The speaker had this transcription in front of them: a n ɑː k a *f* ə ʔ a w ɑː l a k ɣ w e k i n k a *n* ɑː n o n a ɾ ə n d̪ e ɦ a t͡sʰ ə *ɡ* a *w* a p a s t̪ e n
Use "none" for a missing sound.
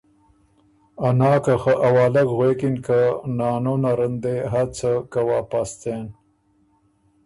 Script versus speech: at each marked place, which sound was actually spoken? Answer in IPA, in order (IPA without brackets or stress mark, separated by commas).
x, n, k, w